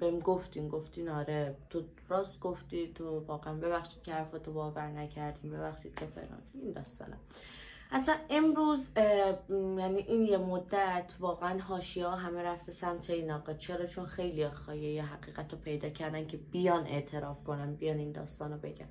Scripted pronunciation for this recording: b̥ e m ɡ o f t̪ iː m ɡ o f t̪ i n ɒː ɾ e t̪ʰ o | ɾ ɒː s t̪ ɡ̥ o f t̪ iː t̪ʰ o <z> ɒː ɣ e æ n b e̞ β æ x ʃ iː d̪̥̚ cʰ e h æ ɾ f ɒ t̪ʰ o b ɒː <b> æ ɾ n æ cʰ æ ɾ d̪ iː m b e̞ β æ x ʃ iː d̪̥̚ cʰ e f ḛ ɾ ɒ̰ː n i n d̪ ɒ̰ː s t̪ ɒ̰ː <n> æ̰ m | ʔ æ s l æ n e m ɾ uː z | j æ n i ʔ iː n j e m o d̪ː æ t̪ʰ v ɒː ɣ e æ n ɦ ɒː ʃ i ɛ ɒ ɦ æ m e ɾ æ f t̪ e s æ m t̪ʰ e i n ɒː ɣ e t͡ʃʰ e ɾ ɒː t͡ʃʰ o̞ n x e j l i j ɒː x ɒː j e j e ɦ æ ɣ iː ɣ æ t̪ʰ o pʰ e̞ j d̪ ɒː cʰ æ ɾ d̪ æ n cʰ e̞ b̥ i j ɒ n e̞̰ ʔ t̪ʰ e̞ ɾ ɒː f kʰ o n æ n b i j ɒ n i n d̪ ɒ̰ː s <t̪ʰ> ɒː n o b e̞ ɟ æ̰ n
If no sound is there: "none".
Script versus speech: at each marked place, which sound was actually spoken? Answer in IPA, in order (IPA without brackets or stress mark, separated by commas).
v, v, n, t̪